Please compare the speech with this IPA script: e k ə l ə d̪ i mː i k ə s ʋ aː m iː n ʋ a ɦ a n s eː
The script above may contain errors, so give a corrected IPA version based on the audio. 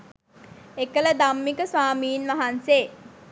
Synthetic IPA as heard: e k ə l ə d̪ a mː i k ə s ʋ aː m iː n ʋ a ɦ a n s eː